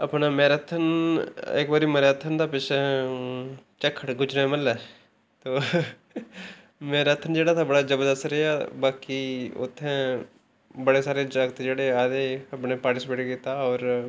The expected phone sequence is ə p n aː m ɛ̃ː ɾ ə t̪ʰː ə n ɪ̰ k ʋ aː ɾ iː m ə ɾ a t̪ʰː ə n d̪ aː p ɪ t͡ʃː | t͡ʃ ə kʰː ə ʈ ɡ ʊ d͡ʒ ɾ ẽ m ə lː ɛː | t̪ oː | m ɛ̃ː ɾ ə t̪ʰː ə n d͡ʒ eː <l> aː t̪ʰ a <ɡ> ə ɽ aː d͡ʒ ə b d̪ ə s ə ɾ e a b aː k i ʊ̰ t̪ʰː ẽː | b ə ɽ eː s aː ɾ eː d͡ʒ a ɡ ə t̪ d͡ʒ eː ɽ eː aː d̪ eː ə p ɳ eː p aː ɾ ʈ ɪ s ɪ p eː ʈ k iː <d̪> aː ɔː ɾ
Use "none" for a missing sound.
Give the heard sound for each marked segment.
ɽ, b, t̪

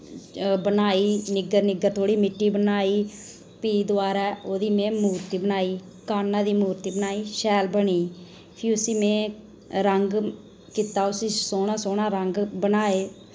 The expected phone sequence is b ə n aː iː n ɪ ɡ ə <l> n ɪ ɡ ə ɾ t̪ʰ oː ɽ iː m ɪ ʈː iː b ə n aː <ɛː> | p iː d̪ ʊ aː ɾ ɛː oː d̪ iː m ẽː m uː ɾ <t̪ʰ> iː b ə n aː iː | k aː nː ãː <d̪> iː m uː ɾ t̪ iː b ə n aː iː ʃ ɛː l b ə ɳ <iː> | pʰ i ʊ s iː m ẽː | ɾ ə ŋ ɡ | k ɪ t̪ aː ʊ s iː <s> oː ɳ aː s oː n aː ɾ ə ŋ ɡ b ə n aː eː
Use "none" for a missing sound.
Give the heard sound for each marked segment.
ɾ, iː, t̪, d̪, iː, s

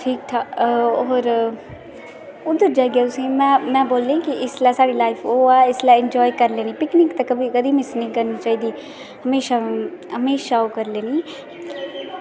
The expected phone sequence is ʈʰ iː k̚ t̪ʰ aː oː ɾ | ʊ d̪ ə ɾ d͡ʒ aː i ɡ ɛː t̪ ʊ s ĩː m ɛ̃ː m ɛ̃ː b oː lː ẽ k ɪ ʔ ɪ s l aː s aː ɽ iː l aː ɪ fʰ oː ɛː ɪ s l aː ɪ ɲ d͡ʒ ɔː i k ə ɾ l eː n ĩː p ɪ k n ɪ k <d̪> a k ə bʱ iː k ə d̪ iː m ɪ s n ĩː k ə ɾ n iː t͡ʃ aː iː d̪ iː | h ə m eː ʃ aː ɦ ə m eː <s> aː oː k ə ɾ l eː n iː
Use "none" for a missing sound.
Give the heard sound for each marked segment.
t̪, ʃ

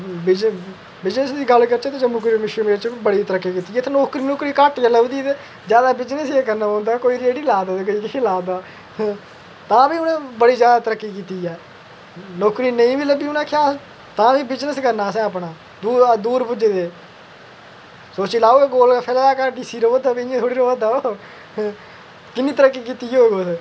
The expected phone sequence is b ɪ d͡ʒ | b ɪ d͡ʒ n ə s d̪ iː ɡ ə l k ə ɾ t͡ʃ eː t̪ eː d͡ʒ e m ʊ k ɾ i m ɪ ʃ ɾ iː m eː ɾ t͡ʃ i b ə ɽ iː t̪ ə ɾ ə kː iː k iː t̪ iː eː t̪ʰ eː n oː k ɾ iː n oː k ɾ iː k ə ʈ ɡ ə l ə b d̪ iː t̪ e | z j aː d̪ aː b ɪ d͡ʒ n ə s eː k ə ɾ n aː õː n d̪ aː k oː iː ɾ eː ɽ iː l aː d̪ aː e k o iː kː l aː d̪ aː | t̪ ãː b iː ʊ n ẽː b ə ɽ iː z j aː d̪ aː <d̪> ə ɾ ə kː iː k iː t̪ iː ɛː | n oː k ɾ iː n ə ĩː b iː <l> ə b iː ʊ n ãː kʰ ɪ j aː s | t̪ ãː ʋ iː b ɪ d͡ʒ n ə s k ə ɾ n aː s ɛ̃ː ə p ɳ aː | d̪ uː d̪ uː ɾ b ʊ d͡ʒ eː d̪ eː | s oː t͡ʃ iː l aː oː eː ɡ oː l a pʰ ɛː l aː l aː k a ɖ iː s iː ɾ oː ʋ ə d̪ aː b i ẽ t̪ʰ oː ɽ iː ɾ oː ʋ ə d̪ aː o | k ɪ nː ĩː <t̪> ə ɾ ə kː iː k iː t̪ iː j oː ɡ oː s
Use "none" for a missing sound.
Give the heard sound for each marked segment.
t̪, l, t̪

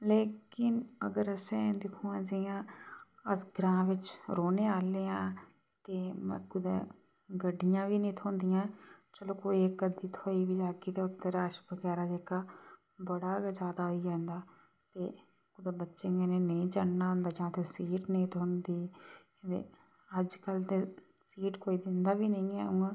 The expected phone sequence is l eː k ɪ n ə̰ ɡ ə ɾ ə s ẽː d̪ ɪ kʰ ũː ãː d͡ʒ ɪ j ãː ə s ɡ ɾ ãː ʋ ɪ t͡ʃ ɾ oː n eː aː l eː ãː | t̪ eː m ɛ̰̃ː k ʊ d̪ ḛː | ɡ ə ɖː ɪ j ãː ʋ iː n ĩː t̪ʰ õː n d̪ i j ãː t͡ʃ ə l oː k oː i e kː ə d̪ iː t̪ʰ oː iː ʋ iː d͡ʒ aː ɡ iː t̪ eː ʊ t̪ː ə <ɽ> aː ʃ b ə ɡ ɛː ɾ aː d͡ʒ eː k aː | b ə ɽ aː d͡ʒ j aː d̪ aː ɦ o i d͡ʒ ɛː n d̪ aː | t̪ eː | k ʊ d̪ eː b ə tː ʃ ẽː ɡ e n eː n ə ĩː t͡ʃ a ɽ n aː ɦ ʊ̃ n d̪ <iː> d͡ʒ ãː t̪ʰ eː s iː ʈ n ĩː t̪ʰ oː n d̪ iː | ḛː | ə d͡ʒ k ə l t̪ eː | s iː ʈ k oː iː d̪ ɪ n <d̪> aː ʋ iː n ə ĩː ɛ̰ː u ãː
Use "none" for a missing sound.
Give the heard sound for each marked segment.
ɾ, aː, d̪

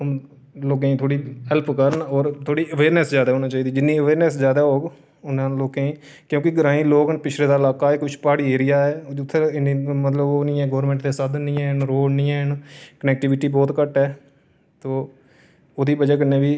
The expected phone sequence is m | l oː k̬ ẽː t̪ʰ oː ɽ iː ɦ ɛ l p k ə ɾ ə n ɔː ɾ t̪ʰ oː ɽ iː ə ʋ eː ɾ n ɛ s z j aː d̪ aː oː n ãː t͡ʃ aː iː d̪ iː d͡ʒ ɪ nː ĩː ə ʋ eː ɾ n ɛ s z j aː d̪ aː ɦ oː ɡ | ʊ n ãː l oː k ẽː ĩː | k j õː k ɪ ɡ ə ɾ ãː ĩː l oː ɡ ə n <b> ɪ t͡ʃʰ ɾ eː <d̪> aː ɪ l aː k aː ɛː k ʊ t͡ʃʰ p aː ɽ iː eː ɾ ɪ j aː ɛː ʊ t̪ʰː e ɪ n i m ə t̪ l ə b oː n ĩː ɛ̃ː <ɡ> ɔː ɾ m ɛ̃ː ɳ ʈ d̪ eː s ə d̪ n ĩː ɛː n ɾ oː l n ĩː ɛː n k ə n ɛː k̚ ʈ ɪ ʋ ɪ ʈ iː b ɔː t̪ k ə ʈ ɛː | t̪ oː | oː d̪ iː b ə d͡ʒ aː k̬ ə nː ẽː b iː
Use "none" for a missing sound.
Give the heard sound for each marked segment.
p, d̪, ɡ

